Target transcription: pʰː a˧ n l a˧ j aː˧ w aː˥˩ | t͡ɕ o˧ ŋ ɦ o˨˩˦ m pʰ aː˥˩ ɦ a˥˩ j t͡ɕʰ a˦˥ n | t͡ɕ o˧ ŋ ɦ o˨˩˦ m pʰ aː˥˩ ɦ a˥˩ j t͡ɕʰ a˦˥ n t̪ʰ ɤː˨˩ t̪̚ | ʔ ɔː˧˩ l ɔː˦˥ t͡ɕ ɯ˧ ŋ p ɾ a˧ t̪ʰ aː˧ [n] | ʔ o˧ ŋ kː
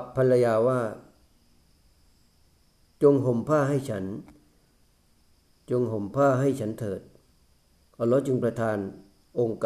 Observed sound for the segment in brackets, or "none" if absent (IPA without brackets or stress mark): n